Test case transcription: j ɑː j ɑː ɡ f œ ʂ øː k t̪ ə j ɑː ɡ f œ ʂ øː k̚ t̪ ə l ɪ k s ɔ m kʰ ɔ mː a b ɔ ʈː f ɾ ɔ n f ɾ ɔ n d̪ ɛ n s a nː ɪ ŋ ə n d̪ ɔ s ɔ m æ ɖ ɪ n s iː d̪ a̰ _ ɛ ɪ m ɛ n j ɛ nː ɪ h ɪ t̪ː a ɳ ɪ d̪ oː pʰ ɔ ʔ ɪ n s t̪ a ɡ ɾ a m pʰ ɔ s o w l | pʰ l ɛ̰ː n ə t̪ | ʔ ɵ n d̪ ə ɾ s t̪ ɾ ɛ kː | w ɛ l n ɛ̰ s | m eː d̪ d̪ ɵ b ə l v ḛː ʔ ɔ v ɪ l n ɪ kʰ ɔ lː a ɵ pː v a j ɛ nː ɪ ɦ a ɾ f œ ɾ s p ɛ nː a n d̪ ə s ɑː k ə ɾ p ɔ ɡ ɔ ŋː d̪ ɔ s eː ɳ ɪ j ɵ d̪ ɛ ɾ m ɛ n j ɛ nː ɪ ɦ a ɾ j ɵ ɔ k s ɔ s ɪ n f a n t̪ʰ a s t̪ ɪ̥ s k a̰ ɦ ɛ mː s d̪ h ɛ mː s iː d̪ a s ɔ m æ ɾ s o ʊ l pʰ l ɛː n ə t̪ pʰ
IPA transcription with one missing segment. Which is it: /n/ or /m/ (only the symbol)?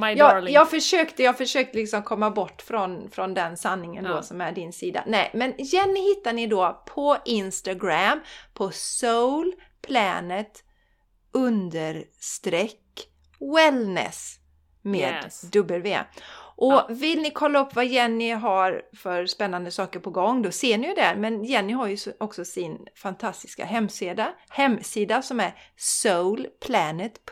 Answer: n